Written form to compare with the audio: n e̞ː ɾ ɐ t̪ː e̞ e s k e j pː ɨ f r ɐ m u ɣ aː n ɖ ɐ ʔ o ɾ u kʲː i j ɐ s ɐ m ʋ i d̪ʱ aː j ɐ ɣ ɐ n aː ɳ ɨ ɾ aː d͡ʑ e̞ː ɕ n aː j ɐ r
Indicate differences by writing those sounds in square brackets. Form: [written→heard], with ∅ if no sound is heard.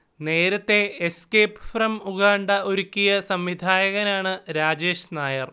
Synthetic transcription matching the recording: n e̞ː ɾ ɐ t̪ː e̞ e s k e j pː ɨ f r ɐ m u ɣ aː [n→ɳ] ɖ ɐ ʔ o ɾ u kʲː i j ɐ s ɐ m ʋ i d̪ʱ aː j ɐ ɣ ɐ n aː ɳ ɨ ɾ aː d͡ʑ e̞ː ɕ n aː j ɐ r